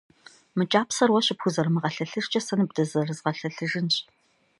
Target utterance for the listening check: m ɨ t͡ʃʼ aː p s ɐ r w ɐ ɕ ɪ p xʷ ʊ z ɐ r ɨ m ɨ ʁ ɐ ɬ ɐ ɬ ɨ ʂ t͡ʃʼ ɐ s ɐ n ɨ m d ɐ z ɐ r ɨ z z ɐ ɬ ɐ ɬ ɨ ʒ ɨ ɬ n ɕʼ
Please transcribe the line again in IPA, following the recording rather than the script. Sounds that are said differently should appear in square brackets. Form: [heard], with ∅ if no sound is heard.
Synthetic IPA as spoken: m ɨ t͡ʃʼ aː p s ɐ r w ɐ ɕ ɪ p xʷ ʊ z ɐ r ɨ m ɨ ʁ ɐ ɬ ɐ ɬ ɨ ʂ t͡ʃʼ ɐ s ɐ n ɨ [b] d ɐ z ɐ r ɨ z [ʁ] ɐ ɬ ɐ ɬ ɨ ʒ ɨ [∅] n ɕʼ